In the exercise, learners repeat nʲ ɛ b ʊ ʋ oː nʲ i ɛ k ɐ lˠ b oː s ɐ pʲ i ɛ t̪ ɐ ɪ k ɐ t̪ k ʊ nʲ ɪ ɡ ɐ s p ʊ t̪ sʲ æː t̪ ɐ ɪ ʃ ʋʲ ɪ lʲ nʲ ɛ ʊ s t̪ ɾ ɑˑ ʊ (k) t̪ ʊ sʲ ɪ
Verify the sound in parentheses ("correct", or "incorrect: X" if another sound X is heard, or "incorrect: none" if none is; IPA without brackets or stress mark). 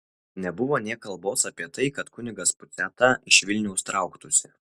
correct